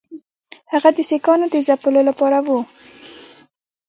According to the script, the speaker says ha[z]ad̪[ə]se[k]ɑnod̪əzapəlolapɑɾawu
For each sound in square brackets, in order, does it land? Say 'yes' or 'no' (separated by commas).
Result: no, yes, yes